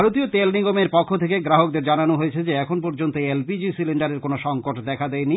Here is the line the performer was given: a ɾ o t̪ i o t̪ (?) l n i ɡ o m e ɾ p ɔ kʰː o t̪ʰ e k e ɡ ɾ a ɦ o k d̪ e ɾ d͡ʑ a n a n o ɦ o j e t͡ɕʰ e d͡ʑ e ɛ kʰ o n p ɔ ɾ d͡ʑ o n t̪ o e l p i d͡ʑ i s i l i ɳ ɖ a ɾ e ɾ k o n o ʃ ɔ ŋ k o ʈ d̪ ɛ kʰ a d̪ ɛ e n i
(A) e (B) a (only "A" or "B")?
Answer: A